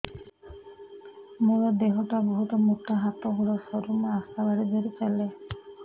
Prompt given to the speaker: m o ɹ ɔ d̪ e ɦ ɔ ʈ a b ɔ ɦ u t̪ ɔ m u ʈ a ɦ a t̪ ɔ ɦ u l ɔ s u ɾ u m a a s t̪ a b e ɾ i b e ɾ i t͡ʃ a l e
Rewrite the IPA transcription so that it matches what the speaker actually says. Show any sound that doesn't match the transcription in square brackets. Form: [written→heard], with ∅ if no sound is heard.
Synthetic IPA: m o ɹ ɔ d̪ e ɦ ɔ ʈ a b ɔ ɦ u t̪ ɔ m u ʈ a ɦ a t̪ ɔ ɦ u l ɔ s [u→ɔ] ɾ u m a a s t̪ a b [e→a] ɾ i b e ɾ i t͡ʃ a l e

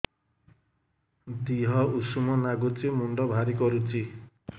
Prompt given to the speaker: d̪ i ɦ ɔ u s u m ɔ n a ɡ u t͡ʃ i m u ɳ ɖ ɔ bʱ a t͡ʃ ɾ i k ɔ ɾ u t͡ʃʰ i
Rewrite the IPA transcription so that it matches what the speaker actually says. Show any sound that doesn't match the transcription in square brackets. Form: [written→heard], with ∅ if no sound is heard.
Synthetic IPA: d̪ i ɦ ɔ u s u m ɔ n a ɡ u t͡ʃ i m u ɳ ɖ ɔ bʱ a [t͡ʃ→∅] ɾ i k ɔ ɾ u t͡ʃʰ i

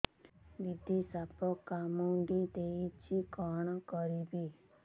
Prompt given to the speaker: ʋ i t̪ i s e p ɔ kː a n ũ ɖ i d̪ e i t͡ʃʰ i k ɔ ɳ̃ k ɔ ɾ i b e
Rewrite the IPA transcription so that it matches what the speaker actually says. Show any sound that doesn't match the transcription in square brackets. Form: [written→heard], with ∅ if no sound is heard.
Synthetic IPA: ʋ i [t̪→d̪] i s [e→a] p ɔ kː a [n→m] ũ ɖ i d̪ e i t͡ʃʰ i k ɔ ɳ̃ k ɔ ɾ i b [e→i]

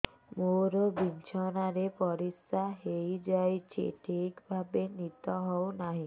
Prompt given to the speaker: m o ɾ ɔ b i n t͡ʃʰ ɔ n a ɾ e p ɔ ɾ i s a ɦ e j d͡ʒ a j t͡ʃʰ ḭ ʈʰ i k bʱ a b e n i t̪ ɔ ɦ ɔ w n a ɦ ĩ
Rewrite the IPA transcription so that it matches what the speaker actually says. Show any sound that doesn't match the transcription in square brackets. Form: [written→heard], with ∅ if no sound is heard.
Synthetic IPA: m o ɾ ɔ b i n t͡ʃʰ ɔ n a ɾ e p ɔ ɾ i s a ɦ e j d͡ʒ a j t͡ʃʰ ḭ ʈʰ i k bʱ a b e n i t̪ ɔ ɦ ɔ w n a ɦ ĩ

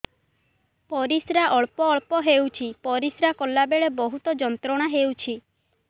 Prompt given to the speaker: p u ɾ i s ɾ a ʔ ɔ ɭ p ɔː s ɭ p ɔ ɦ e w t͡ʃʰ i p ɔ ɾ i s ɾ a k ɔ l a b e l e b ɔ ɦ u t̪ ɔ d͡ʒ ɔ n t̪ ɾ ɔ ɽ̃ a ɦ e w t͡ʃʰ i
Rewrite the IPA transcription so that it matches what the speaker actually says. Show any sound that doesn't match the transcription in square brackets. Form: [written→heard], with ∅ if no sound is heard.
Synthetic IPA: p [u→ɔ] ɾ i s ɾ a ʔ ɔ ɭ p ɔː [s→∅] ɭ p ɔ ɦ e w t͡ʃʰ i p ɔ ɾ i s ɾ a k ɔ l a b e [l→ɭ] e b ɔ ɦ u t̪ ɔ d͡ʒ ɔ n t̪ ɾ ɔ ɽ̃ a ɦ e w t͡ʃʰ i

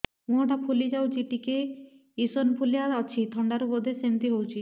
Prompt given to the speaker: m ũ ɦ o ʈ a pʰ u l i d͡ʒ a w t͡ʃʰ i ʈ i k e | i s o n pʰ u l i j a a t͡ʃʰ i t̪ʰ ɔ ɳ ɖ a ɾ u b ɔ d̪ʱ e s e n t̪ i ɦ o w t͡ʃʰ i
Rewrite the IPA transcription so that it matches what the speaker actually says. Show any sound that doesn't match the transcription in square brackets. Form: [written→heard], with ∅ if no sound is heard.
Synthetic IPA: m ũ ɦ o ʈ a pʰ u l i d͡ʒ a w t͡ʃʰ i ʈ i k e | i s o n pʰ u l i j a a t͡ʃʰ i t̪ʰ ɔ ɳ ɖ a ɾ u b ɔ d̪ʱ e s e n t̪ i ɦ o w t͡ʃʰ i

